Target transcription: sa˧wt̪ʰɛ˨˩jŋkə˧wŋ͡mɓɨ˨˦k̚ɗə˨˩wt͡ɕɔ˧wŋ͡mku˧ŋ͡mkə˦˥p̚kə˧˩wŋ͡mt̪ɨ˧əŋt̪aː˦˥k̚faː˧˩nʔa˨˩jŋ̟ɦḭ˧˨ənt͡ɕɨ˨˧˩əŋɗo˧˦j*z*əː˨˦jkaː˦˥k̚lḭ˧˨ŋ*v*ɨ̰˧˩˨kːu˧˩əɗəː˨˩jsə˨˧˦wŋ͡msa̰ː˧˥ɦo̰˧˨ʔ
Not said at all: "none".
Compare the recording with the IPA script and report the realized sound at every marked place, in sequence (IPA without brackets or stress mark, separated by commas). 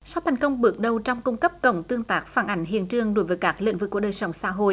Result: v, v